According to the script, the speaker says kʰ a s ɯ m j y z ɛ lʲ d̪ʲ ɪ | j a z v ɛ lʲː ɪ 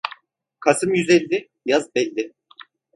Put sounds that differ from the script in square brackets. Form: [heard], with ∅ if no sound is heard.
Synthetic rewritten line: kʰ a s ɯ m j y z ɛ lʲ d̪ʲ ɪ | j a z [b] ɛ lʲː ɪ

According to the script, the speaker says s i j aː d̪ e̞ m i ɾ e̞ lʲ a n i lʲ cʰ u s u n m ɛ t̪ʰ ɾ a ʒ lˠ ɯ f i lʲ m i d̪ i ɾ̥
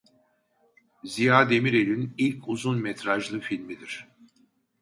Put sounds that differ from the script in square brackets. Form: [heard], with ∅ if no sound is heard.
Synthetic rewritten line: [z] i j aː d̪ e̞ m i ɾ e̞ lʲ [i] n i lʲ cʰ u [z] u n m ɛ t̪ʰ ɾ a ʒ lˠ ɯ f i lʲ m i d̪ i ɾ̥

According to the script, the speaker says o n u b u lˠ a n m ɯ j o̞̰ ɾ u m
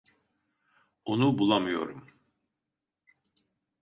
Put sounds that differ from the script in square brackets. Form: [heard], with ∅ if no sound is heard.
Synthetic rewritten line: o n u b u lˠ a [∅] m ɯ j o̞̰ ɾ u m

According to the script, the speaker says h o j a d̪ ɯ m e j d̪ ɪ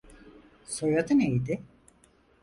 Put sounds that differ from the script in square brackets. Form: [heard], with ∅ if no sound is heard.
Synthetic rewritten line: [s] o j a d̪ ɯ [n] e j d̪ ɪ

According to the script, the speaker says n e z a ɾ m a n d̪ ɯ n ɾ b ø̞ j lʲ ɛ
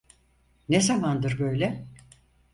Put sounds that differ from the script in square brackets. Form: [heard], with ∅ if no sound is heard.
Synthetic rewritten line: n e z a [∅] m a n d̪ ɯ [∅] ɾ b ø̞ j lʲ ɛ

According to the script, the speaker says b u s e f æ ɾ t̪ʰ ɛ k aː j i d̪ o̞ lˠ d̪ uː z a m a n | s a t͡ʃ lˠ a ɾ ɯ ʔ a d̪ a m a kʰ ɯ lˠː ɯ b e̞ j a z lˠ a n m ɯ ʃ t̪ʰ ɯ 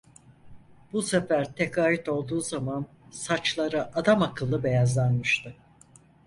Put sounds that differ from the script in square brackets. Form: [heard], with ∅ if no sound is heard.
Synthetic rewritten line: b u s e f æ ɾ t̪ʰ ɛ k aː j i [t̪] o̞ lˠ d̪ uː z a m a n | s a t͡ʃ lˠ a ɾ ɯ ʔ a d̪ a m a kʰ ɯ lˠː ɯ b e̞ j a z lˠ a n m ɯ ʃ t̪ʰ ɯ

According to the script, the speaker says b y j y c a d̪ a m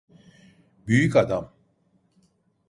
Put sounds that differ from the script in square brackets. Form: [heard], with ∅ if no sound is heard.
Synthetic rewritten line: b y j y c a d̪ a m

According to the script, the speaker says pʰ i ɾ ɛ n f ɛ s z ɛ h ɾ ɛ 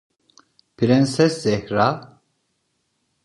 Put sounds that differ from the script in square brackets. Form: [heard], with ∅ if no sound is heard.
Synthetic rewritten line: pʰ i ɾ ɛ n [s] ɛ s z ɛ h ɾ [a]

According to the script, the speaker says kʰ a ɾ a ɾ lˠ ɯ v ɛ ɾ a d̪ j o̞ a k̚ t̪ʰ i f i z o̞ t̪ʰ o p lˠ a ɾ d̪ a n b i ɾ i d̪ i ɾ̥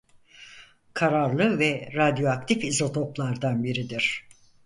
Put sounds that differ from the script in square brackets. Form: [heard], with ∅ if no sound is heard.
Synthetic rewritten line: kʰ a ɾ a ɾ lˠ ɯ v ɛ ɾ a d̪ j o̞ a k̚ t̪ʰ i f i z o̞ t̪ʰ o p lˠ a ɾ d̪ a n b i ɾ i d̪ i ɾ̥

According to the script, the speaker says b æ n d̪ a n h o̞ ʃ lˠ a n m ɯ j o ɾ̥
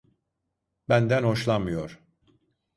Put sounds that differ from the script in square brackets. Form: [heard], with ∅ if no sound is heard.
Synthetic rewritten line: b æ n d̪ [æ] n h o̞ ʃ lˠ a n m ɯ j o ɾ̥

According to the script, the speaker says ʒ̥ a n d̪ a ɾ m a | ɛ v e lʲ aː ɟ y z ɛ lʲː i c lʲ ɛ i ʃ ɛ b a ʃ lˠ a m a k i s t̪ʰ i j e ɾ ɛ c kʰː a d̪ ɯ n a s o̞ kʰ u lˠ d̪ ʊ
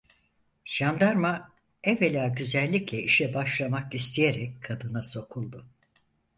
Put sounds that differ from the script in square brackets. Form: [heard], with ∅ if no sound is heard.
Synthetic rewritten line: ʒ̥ a n d̪ a ɾ m a | ɛ v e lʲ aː ɟ y z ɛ lʲː i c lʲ ɛ i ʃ ɛ b a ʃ lˠ a m a k i s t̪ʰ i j e ɾ ɛ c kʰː a d̪ ɯ n a s o̞ kʰ u lˠ d̪ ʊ

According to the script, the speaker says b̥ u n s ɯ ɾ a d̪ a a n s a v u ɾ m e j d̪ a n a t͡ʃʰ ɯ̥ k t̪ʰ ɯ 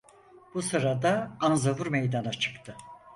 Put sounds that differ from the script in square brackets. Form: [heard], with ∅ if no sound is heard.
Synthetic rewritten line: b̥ u [∅] s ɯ ɾ a d̪ a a n [z] a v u ɾ m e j d̪ a n a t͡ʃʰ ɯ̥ k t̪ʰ ɯ

